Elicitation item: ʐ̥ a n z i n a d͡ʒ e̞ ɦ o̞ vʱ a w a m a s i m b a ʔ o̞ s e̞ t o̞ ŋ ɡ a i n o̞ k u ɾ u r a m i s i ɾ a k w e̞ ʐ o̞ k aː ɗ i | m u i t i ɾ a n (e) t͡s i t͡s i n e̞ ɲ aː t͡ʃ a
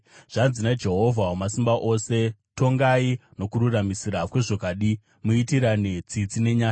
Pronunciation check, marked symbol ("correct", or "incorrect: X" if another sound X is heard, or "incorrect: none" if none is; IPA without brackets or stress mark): correct